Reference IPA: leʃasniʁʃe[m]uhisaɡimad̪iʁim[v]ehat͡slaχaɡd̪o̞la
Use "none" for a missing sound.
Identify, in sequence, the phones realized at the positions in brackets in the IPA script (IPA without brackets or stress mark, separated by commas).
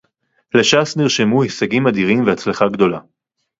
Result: m, v